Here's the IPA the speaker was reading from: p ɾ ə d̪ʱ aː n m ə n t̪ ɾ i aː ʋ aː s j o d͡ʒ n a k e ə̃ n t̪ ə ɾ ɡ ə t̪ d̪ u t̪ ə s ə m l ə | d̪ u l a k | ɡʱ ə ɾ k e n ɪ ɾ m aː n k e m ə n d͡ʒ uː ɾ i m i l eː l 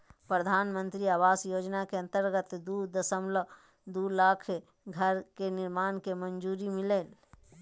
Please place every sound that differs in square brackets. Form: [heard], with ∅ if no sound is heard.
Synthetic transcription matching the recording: p ɾ ə d̪ʱ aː n m ə n t̪ ɾ i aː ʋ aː s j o d͡ʒ n a k e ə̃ n t̪ ə ɾ ɡ ə t̪ d̪ u [d̪] ə s ə m l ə | d̪ u l a [kʰ] | ɡʱ ə ɾ k e n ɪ ɾ m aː n k e m ə n d͡ʒ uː ɾ i m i l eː l